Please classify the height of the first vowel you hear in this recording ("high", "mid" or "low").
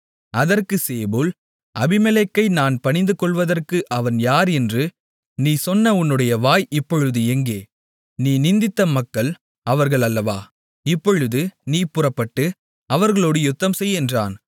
low